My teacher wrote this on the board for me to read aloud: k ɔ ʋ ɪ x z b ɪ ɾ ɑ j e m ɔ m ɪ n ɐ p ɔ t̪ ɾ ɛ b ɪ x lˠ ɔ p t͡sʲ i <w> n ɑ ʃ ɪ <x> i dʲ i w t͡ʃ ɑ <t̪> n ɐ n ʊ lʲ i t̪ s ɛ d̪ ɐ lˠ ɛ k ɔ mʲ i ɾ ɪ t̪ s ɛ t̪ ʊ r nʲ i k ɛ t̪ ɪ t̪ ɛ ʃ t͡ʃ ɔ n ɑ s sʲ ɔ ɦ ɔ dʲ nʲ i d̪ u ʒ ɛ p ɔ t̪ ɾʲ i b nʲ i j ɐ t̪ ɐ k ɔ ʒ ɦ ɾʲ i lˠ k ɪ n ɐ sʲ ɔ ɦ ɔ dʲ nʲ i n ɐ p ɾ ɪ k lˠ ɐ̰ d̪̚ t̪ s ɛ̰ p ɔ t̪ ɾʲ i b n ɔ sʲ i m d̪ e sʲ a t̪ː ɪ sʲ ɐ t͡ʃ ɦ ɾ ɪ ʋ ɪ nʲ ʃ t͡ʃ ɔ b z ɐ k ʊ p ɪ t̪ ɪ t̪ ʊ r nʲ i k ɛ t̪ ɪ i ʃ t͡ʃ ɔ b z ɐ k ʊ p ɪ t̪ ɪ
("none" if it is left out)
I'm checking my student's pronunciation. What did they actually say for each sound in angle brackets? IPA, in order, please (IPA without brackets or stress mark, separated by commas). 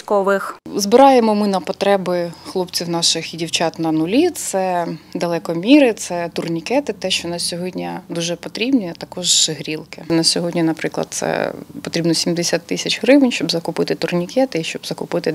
w, x, t̪